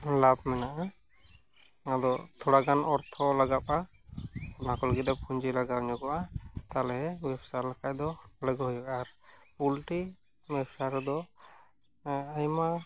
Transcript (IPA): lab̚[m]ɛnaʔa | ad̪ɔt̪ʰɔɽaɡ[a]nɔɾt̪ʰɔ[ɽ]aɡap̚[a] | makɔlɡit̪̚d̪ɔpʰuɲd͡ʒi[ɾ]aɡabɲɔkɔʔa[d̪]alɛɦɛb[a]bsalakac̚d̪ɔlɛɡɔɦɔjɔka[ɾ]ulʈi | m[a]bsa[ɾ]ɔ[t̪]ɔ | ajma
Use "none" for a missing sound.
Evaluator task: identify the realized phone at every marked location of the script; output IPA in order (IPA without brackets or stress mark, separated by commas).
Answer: m, a, l, a, l, t̪, ɛ, ɾ, ɛ, ɾ, d̪